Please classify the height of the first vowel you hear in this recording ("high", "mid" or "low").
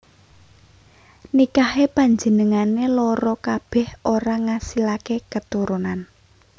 high